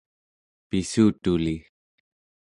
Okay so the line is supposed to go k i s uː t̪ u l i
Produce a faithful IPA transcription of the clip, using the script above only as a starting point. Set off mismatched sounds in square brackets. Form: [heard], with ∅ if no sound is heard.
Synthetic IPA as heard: [p] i s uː t̪ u l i